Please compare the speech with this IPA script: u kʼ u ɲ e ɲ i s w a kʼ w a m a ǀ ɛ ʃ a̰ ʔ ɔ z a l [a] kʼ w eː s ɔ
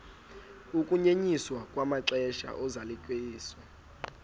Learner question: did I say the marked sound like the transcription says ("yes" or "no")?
no